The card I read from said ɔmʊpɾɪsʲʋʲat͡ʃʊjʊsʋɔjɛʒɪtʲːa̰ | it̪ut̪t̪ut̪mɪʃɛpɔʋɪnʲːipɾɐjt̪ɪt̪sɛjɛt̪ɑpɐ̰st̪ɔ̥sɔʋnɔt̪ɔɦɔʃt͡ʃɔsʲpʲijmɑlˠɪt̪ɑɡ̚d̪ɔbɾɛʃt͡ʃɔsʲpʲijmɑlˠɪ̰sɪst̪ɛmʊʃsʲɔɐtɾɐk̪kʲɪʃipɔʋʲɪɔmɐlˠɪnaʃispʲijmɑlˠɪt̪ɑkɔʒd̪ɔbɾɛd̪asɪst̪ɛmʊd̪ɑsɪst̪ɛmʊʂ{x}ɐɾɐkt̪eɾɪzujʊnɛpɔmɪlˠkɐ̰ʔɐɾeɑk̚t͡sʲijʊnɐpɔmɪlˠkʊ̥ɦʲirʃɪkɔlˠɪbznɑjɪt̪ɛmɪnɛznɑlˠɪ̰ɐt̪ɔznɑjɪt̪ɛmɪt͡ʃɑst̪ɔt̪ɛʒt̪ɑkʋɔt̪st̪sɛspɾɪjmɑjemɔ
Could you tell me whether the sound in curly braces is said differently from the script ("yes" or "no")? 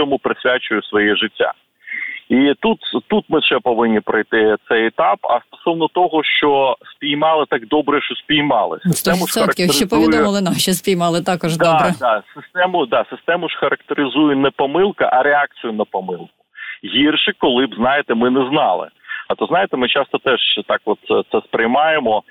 no